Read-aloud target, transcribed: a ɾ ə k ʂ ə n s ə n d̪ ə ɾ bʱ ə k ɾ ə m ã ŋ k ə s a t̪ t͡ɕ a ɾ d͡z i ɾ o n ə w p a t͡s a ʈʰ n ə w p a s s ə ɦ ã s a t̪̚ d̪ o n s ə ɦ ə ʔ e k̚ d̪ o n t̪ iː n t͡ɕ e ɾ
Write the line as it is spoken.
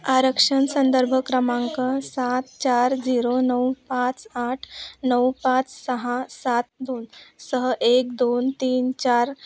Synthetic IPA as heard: a ɾ ə k ʂ ə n s ə n d̪ ə ɾ bʱ ə k ɾ ə m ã ŋ k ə s a t̪ t͡ɕ a ɾ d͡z i ɾ o n ə w p a t͡s a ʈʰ n ə w p a t͡s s ə ɦ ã s a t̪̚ d̪ o n s ə ɦ ə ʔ e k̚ d̪ o n t̪ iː n t͡ɕ a ɾ